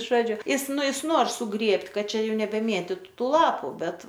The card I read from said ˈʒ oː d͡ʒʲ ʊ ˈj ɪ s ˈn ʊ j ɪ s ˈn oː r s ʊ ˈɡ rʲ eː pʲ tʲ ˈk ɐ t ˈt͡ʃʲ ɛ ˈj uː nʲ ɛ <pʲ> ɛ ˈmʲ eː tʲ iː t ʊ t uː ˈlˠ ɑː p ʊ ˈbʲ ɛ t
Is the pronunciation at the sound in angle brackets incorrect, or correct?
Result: incorrect: bʲ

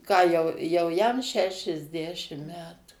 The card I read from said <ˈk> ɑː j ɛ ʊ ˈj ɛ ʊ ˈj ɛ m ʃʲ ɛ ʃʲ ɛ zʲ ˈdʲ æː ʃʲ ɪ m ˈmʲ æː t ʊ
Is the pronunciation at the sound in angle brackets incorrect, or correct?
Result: correct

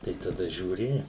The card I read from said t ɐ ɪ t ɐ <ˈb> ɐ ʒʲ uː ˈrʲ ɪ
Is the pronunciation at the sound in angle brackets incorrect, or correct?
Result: incorrect: d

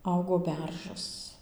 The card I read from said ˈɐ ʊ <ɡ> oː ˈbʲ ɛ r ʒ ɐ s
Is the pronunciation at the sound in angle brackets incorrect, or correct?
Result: correct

